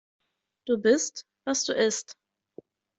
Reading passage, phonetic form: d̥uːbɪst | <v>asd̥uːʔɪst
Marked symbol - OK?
yes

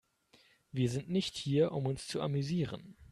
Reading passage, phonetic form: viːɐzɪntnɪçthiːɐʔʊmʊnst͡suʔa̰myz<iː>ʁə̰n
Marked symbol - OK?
yes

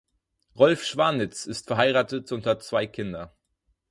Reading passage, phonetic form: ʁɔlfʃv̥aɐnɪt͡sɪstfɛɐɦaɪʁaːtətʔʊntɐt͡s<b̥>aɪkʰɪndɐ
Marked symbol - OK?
no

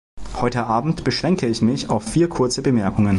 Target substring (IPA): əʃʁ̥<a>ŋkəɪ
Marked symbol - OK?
no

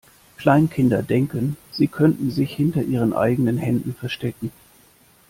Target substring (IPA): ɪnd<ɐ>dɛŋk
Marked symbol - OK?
yes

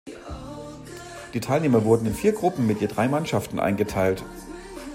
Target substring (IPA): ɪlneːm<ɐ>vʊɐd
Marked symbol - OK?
yes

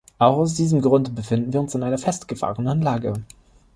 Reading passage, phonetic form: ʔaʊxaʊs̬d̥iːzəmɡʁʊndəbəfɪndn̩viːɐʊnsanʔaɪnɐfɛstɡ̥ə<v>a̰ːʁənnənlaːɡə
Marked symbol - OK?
no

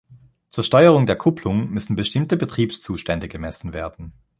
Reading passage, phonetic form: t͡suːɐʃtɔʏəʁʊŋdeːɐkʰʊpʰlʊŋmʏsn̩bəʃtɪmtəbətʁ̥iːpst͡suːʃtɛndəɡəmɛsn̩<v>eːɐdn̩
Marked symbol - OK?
yes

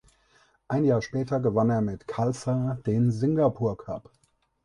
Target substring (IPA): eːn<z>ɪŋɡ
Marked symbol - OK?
yes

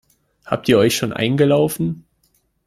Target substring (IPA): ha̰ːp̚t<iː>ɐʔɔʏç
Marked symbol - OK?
yes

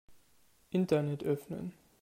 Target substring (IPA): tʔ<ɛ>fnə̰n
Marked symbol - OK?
no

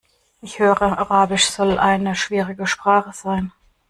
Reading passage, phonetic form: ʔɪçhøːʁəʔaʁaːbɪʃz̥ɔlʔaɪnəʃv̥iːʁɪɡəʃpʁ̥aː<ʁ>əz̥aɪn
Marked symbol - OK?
no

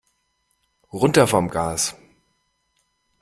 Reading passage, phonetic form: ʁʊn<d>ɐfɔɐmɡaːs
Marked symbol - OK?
no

